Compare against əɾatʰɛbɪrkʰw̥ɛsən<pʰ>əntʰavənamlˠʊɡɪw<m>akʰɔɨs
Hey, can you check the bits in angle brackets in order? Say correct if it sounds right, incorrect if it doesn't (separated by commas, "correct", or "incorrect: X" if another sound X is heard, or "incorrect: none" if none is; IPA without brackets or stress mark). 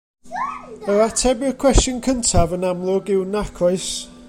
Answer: incorrect: kʰ, incorrect: n